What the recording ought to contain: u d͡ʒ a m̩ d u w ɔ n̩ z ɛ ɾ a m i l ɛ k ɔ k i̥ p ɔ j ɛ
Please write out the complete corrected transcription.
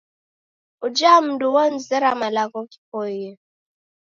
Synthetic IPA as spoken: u d͡ʒ a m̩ d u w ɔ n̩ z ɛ ɾ a m a l a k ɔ k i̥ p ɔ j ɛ